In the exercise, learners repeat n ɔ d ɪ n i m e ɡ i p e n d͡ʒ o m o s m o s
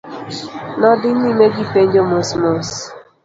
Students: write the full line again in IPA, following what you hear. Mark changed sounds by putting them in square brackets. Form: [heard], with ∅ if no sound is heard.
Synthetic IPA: n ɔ d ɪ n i m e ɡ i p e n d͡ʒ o m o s m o s